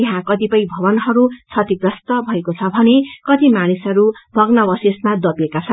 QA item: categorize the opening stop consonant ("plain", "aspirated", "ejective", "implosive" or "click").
plain